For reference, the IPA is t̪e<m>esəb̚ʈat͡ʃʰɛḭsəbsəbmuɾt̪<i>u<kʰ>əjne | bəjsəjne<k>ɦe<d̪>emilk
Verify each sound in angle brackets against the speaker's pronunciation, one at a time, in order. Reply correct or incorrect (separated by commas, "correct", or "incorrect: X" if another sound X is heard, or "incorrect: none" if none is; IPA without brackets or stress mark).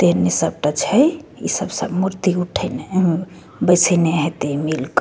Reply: incorrect: n, correct, incorrect: ʈʰ, incorrect: none, incorrect: t̪